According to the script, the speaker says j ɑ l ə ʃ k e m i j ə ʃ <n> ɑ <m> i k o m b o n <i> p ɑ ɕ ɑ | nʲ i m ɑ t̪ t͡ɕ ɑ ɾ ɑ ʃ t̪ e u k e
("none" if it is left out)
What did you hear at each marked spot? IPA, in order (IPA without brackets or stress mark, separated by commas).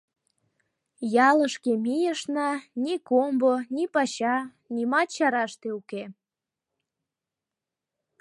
n, n, i